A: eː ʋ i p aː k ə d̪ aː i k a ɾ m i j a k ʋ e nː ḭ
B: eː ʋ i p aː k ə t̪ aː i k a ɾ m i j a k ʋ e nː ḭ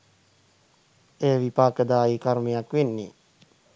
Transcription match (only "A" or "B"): A